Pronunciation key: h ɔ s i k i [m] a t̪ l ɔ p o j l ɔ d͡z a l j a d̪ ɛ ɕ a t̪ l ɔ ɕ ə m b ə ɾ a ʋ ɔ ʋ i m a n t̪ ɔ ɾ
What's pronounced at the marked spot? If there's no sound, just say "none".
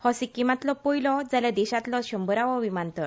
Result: m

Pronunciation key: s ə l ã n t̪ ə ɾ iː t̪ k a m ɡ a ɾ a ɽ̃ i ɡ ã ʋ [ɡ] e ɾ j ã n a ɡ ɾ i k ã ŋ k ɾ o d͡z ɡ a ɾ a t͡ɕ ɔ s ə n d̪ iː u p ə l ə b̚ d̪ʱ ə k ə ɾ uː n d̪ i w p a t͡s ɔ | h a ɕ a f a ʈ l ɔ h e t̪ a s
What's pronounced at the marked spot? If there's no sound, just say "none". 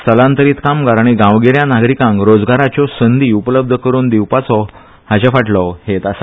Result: ɡ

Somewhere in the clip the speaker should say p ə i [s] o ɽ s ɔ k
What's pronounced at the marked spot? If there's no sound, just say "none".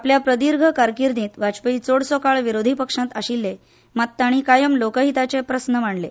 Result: t͡s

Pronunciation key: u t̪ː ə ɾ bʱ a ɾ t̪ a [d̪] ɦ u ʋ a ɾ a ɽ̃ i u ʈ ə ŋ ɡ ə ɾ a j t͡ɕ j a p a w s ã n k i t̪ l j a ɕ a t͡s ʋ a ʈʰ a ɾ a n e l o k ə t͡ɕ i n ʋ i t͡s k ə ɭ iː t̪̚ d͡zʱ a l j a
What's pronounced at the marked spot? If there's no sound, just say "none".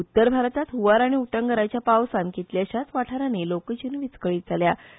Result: t̪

